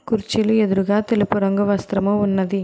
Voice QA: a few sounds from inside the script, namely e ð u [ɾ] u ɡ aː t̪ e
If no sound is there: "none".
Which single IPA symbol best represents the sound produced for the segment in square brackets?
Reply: ɾ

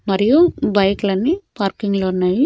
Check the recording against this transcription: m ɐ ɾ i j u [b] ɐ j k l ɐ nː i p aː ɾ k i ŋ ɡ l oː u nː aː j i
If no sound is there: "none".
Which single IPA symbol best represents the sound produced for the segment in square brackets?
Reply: b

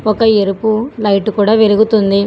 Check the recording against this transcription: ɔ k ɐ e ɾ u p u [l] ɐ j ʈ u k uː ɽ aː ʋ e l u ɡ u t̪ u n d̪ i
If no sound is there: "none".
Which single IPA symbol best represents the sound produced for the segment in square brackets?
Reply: l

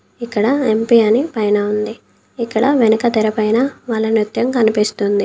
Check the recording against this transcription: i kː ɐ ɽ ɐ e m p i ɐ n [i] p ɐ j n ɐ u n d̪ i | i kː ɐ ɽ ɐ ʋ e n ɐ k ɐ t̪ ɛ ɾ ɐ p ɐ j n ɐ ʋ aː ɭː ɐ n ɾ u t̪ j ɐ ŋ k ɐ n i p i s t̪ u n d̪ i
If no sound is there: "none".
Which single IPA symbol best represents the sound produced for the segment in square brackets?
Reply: i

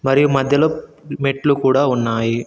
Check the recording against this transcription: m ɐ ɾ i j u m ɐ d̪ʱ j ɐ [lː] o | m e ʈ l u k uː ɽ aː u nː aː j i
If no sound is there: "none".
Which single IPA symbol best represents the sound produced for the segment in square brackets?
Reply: l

